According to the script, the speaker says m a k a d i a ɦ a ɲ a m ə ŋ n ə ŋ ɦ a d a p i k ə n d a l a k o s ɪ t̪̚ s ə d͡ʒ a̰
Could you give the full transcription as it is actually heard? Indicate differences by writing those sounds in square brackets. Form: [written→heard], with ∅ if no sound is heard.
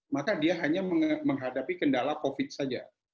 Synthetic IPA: m a k a d i a ɦ a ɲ a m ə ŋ [n→m] ə ŋ ɦ a d a p i k ə n d a l a k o [s→f] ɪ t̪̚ s [ə→a] d͡ʒ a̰

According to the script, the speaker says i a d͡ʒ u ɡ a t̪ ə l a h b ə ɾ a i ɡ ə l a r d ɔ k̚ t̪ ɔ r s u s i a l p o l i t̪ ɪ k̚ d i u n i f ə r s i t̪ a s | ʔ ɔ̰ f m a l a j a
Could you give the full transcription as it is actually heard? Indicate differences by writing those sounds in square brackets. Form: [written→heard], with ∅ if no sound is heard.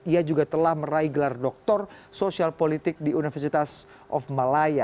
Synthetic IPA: i a d͡ʒ u ɡ a t̪ ə l a h [b→m] ə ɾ a i ɡ ə l a r d ɔ k̚ t̪ ɔ r s [u→o] s i a l p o l i t̪ ɪ k̚ d i u n i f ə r s i t̪ a s | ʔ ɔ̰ f m a l a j a

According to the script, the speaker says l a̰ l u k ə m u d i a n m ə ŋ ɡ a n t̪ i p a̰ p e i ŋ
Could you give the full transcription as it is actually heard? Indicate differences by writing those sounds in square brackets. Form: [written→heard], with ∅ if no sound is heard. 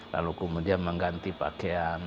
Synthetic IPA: l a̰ l u k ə m u d i a n m ə ŋ ɡ a n t̪ i p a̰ [p→k] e [i→a] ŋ

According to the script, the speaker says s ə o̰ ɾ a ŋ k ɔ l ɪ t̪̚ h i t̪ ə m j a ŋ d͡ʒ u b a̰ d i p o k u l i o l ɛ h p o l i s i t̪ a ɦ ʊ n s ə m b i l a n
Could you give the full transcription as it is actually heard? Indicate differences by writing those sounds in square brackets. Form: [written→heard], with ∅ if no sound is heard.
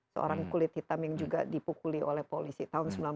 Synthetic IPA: s ə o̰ ɾ a ŋ k [ɔ→u] l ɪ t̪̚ h i t̪ [ə→a] m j a ŋ d͡ʒ u [b→ɡ] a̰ d i p [o→u] k u l i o l ɛ h p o l i s i t̪ a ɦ ʊ n s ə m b i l a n

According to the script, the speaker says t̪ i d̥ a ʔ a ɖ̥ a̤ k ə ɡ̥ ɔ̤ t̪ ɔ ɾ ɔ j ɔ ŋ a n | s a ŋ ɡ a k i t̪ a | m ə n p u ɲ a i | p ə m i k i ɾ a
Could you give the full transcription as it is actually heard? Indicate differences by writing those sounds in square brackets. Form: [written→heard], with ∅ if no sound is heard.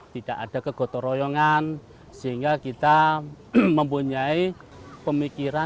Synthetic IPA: t̪ i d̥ a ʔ a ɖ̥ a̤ k ə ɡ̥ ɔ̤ t̪ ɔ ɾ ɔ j ɔ ŋ a n | s [a→i] ŋ ɡ a k i t̪ a | m ə [n→m] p u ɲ a i | p ə m i k i ɾ a

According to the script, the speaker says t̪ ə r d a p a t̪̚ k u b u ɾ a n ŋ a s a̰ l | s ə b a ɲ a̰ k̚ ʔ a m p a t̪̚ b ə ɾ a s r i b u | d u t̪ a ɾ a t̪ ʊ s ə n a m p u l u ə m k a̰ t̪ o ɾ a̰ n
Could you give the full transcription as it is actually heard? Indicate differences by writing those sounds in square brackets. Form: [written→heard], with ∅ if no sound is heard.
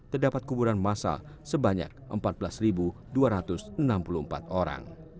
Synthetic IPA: t̪ ə r d a p a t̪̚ k u b u ɾ a n [ŋ→m] a s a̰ l | s ə b a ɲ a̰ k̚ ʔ [a→ə] m p a t̪̚ b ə [ɾ→l] a s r i b u | d u [t̪→∅] a ɾ a t̪ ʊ s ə n a m p u l u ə m [k→p] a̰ t̪ o ɾ a̰ [n→ŋ]

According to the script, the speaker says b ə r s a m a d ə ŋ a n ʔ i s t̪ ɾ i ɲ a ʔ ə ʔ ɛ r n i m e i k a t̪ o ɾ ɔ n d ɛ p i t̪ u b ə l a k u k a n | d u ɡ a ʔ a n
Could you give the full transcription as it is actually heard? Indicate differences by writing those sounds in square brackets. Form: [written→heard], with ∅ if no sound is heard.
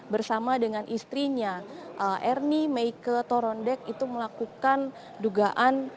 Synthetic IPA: b ə r s a m a d ə ŋ a n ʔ i s t̪ ɾ i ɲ a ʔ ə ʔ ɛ r n i m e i k [a→ə] t̪ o ɾ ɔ n d ɛ [p→k] i t̪ u [b→m] ə l a k u k a n | d u ɡ a ʔ a n

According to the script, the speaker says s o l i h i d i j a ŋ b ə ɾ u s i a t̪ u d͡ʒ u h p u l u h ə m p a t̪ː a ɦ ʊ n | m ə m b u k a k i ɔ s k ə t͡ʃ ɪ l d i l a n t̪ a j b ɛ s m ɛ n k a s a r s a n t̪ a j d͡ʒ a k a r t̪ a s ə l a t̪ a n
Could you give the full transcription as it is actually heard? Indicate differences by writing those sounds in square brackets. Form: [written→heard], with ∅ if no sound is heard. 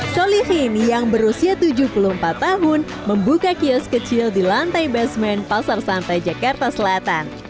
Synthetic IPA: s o l i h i [d→n] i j a ŋ b ə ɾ u s i a t̪ u d͡ʒ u h p u l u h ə m p a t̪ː a ɦ ʊ n | m ə m b u k a k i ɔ s k ə t͡ʃ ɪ l d i l a n t̪ a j b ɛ s m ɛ n [k→p] a s a r s a n t̪ a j d͡ʒ a k a r t̪ a s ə l a t̪ a n

